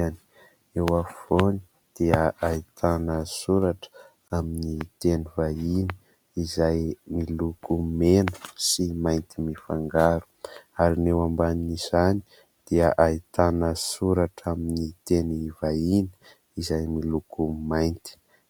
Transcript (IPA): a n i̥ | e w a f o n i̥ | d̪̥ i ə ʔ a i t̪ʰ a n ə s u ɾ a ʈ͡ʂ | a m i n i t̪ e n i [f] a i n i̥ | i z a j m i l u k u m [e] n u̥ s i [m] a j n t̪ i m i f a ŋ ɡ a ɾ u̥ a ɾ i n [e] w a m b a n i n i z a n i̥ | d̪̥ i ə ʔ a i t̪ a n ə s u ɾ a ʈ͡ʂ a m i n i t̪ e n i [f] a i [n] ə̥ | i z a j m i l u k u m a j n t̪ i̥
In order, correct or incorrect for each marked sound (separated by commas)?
incorrect, correct, correct, correct, incorrect, correct